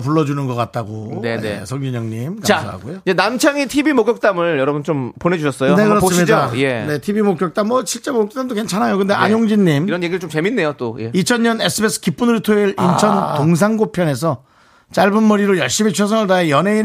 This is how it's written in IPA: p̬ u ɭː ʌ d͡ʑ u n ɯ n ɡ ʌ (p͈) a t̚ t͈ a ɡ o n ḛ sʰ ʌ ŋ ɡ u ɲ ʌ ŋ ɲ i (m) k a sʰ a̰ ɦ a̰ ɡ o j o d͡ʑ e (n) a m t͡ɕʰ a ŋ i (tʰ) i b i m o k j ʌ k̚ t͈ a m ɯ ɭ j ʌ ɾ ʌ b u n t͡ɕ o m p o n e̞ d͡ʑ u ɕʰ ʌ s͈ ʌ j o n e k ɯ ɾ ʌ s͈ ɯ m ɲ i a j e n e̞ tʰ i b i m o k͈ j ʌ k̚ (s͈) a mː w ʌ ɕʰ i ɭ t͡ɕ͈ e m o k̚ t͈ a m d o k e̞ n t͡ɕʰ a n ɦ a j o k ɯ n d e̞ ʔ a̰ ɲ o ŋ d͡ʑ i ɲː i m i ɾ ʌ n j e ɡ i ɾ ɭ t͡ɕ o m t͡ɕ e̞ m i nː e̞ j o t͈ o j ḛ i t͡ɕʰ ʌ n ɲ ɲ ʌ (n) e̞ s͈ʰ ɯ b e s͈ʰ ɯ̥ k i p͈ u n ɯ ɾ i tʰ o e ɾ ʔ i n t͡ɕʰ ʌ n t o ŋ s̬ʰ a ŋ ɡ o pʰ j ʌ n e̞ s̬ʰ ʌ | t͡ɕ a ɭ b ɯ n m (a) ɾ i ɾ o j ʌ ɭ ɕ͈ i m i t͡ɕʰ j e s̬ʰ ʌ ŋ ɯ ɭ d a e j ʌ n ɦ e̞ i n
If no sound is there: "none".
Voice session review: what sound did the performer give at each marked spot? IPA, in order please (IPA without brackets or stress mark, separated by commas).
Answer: k͈, m, n, tʰ, t͈, n, ʌ